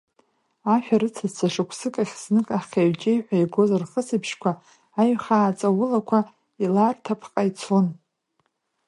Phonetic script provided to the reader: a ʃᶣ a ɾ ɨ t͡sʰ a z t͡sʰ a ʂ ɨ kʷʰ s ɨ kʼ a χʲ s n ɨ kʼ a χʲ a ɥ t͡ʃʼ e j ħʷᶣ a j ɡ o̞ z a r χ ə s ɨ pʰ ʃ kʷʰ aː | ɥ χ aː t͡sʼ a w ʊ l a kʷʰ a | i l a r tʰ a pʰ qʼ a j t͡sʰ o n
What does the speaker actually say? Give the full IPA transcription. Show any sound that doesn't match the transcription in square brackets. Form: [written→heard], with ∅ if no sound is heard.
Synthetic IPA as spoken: a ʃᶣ a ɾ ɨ t͡sʰ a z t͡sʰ a ʂ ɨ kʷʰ s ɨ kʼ a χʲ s n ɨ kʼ a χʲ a ɥ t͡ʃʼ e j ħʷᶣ a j ɡ o̞ z a r χ ə s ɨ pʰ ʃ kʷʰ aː | ɥ χ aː t͡sʼ a w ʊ l a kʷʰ a | i l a r tʰ a pʰ qʼ a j t͡sʰ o n